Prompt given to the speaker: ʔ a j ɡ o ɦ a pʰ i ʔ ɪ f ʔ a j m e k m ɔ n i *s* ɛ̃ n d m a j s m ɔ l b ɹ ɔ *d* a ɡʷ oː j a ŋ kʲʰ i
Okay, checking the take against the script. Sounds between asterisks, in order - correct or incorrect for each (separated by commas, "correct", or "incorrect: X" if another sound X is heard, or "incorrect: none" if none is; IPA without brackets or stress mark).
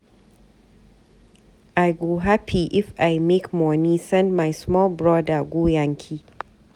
correct, correct